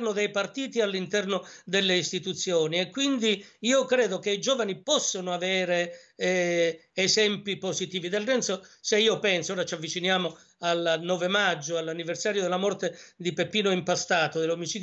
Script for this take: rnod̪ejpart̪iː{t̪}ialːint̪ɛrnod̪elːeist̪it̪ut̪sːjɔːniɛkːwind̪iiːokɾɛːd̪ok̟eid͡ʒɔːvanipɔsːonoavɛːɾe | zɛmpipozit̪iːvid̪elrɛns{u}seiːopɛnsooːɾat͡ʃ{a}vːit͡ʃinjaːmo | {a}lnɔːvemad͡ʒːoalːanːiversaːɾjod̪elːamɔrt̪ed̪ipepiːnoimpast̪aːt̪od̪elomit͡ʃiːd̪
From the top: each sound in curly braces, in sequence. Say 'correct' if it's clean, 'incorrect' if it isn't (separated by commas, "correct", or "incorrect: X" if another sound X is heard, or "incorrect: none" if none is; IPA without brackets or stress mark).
correct, incorrect: o, correct, correct